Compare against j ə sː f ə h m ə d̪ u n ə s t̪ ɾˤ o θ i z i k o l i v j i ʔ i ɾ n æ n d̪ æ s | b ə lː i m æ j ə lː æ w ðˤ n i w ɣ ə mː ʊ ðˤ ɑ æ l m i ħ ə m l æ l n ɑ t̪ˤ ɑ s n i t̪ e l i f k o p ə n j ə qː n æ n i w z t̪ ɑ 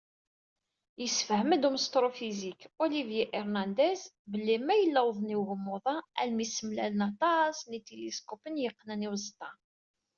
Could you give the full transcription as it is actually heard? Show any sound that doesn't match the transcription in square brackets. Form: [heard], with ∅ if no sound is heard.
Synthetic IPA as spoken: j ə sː f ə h m ə d̪ u [m] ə s t̪ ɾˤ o [f] i z i k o l i v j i ʔ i ɾ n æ n d̪ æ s | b ə lː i m æ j ə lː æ w ðˤ n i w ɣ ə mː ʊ ðˤ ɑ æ l m i [s] ə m l æ l n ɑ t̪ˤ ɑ s n i t̪ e l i [s] k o p ə n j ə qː n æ n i w z t̪ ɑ